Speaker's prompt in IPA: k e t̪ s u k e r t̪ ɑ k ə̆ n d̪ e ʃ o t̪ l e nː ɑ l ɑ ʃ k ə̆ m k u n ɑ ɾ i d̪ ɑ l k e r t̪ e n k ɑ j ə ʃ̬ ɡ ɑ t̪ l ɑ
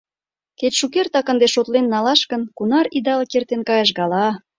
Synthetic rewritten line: k e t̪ ʃ u k e r t̪ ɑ k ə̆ n d̪ e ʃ o t̪ l e nː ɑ l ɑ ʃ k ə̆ n k u n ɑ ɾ i d̪ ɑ l k e r t̪ e n k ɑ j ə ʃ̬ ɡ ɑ l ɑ